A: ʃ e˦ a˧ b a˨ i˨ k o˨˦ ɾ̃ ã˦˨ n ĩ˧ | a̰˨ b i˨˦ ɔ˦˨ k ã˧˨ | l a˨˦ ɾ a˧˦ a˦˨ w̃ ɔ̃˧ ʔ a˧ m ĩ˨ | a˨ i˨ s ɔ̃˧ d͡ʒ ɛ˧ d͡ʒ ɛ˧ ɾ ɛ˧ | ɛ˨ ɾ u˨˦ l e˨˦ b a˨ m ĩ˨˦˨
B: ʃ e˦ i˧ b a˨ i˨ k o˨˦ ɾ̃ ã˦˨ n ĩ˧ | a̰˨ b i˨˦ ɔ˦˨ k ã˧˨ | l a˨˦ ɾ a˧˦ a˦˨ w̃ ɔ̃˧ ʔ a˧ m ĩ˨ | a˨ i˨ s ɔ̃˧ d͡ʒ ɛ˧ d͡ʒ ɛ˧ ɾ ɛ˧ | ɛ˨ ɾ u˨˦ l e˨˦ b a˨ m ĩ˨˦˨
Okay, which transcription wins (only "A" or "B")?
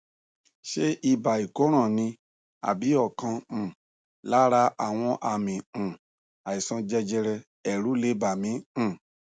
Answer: B